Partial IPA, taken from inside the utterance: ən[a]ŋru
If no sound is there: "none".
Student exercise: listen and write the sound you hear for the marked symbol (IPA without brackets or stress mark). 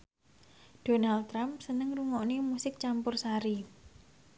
ə